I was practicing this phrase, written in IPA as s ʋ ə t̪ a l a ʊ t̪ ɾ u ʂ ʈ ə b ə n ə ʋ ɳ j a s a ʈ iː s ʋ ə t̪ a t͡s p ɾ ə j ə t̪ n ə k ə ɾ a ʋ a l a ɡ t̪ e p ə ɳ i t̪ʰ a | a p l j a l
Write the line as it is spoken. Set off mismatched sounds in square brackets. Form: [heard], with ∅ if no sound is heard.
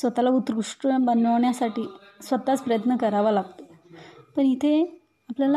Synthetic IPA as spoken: s ʋ ə t̪ a l a [u] t̪ ɾ u ʂ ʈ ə b ə n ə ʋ ɳ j a s a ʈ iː s ʋ ə t̪ a t͡s p ɾ ə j ə t̪ n ə k ə ɾ a ʋ a l a ɡ t̪ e p ə ɳ i t̪ʰ [e] | a p l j a l